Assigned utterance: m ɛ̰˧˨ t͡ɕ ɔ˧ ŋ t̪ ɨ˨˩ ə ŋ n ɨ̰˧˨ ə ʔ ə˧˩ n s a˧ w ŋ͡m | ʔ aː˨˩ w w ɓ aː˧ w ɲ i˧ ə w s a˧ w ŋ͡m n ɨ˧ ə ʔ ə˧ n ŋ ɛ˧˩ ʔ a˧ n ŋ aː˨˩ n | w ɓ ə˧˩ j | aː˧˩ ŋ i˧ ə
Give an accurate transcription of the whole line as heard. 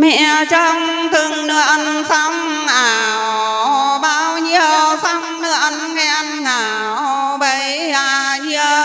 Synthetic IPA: m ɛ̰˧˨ t͡ɕ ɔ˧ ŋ t̪ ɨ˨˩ ə ŋ n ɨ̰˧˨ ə ʔ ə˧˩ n s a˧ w ŋ͡m | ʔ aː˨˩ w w ɓ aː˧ w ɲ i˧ ə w s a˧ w ŋ͡m n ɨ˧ ə ʔ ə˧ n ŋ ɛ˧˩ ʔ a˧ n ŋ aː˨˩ | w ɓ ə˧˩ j | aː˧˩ ɲ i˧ ə